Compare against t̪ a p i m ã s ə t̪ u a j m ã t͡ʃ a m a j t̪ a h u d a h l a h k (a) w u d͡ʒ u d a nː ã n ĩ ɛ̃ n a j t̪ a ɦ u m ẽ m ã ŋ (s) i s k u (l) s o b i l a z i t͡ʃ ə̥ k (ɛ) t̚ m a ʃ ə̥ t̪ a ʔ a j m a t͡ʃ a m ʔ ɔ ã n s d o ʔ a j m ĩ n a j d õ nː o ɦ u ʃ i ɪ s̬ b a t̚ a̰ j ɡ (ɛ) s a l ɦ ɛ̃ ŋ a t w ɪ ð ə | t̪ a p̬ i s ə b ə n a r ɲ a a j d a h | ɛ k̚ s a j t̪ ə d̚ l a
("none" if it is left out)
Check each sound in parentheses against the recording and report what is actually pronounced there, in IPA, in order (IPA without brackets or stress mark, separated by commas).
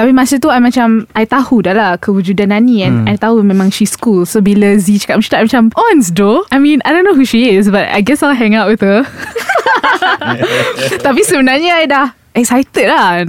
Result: ə, ʃ, l, a, ɛ